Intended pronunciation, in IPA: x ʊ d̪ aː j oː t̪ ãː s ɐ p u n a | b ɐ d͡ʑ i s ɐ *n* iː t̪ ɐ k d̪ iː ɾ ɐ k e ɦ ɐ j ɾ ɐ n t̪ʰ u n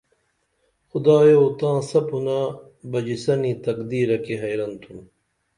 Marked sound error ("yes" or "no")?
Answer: no